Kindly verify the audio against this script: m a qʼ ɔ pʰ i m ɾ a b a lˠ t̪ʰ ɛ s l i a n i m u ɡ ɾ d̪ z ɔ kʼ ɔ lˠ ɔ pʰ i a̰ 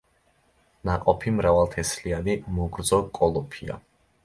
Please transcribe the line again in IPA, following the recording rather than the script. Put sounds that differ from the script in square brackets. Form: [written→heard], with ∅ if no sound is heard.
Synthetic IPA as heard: [m→n] a qʼ ɔ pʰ i m ɾ a [b→v] a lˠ t̪ʰ ɛ s l i a n i m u ɡ ɾ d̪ z ɔ kʼ ɔ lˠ ɔ pʰ i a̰

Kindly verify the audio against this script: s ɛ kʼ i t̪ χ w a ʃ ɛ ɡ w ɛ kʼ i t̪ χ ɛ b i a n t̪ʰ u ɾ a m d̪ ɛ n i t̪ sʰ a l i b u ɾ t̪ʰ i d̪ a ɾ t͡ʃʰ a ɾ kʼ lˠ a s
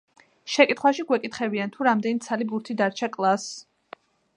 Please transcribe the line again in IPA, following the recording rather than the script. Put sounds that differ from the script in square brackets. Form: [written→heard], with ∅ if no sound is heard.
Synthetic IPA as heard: [s→ʃ] ɛ kʼ i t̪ χ w a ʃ [ɛ→i] ɡ w ɛ kʼ i t̪ χ ɛ b i a n t̪ʰ u ɾ a m d̪ ɛ n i t̪ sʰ a l i b u ɾ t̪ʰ i d̪ a ɾ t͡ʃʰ a [ɾ→∅] kʼ lˠ a s

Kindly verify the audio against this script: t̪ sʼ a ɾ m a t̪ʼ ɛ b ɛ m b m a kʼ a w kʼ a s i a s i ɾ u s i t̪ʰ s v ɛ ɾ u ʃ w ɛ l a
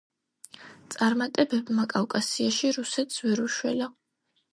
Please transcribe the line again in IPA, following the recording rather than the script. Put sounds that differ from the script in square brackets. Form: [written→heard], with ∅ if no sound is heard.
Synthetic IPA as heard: t̪ sʼ a ɾ m a t̪ʼ ɛ b ɛ [m→∅] b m a kʼ a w kʼ a s i a [s→ʃ] i ɾ u s [i→ɛ] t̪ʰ s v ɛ ɾ u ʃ w ɛ l a

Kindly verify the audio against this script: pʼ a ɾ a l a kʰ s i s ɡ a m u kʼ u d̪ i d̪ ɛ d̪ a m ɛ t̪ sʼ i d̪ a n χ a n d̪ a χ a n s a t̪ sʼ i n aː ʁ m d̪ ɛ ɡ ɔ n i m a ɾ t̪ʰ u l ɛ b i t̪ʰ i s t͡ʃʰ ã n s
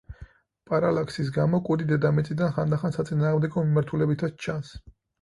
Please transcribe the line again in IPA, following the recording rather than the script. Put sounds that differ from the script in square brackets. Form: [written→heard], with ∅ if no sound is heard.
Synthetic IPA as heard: pʼ a ɾ a l a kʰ s i s ɡ a m [u→ɔ] kʼ u d̪ i d̪ ɛ d̪ a m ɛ t̪ sʼ i d̪ a n χ a n d̪ a χ a n s a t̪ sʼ i n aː ʁ m d̪ ɛ ɡ ɔ [n→m] i m a ɾ t̪ʰ u l ɛ b i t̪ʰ [i→a] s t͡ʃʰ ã n s

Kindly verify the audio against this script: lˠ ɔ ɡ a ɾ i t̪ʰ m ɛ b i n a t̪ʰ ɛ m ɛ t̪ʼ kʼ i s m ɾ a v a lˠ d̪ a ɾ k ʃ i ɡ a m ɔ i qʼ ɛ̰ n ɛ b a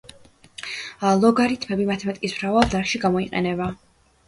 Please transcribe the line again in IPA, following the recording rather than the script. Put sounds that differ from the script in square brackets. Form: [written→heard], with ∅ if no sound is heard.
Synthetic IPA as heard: lˠ ɔ ɡ a ɾ i t̪ʰ m ɛ b i [n→m] a t̪ʰ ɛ m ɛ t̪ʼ kʼ i s m ɾ a v a lˠ d̪ a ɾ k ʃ i ɡ a m ɔ i qʼ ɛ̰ n ɛ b a

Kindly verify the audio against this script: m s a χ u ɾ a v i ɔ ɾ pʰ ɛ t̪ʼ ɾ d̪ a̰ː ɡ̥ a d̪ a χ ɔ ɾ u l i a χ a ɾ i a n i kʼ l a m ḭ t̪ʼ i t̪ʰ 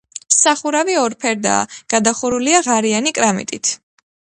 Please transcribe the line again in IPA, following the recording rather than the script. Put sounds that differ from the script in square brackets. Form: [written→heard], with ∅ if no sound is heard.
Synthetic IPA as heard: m s a χ u ɾ a v i ɔ ɾ pʰ ɛ [t̪ʼ→∅] ɾ d̪ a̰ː ɡ̥ a d̪ a χ [ɔ→u] ɾ u l i a [χ→ʁ] a ɾ i a n i kʼ [l→ɾ] a m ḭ t̪ʼ i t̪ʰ

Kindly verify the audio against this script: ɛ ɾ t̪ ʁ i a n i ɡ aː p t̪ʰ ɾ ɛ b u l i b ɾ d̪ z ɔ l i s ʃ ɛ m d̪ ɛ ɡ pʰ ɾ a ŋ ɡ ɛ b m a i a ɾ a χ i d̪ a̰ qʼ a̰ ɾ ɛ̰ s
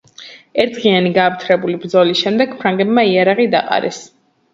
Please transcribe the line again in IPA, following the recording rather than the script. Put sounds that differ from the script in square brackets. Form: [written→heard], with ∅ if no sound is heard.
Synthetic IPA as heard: ɛ ɾ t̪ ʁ i a n i ɡ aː p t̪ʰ ɾ ɛ b u l i b ɾ d̪ z ɔ l i s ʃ ɛ m d̪ ɛ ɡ pʰ ɾ a ŋ ɡ ɛ b m a i a ɾ a [χ→ʁ] i d̪ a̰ qʼ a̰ ɾ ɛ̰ s

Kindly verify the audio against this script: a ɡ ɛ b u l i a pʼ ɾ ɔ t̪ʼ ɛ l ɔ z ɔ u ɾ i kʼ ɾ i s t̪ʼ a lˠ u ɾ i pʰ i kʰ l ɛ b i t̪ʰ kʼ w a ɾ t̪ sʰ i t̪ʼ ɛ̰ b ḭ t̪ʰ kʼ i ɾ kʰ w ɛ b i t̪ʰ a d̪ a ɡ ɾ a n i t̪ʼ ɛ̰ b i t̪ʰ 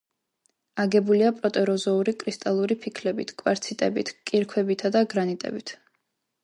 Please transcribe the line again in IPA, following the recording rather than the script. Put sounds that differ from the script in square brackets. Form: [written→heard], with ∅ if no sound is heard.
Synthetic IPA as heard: a ɡ ɛ b u l i a pʼ ɾ ɔ t̪ʼ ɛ [l→ɾ] ɔ z ɔ u ɾ i kʼ ɾ i s t̪ʼ a lˠ u ɾ i pʰ i kʰ l ɛ b i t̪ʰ kʼ w a ɾ t̪ sʰ i t̪ʼ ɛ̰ b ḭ t̪ʰ kʼ i ɾ kʰ w ɛ b i t̪ʰ a d̪ a ɡ ɾ a n i t̪ʼ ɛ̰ b i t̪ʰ

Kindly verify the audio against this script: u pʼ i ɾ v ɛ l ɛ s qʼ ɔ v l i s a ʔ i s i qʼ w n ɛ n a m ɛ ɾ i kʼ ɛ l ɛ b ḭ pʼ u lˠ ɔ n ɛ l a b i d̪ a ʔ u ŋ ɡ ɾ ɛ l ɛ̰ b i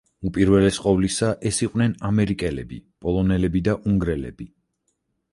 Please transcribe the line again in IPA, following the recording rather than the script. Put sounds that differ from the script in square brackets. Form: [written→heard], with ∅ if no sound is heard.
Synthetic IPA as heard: u pʼ i ɾ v ɛ l ɛ s qʼ ɔ v l i s a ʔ [i→ɛ] s i qʼ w n ɛ n a m ɛ ɾ i kʼ ɛ l ɛ b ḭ pʼ [u→ɔ] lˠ ɔ n ɛ l [a→ɛ] b i d̪ a ʔ u ŋ ɡ ɾ ɛ l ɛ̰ b i

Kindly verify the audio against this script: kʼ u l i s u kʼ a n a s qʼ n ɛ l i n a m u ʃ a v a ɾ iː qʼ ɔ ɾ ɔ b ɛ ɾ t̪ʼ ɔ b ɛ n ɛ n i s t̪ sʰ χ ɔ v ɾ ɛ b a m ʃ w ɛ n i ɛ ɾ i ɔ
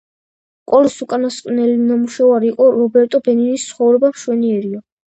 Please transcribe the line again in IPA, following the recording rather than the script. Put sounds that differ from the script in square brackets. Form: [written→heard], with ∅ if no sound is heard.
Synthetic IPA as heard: kʼ [u→ɔ] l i s u kʼ a n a s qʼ n ɛ l i n a m u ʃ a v a ɾ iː qʼ ɔ ɾ ɔ b ɛ ɾ t̪ʼ ɔ b ɛ n [ɛ→i] n i s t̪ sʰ χ ɔ v ɾ ɛ b a m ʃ w ɛ n i ɛ ɾ i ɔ

